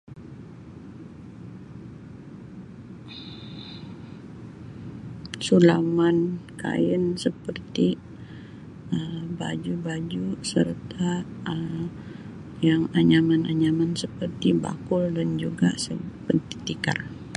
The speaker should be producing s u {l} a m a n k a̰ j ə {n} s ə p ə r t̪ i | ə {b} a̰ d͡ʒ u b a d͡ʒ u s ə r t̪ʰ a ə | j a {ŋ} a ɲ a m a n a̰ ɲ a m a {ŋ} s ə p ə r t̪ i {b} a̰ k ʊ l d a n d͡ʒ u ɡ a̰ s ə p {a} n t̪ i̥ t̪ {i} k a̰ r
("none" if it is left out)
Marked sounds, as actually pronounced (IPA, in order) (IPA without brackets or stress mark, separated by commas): l, n, b, ŋ, n, b, ə, i